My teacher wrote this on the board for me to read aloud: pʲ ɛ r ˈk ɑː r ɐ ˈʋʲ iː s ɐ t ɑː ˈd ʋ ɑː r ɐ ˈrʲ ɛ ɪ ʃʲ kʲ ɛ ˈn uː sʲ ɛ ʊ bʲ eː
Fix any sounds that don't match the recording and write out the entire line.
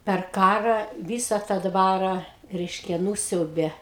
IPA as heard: pʲ ɛ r ˈk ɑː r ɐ ˈʋʲ iː s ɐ t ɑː ˈd ʋ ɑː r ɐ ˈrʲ ɛ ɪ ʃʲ kʲ ɛ ˈn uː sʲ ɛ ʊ bʲ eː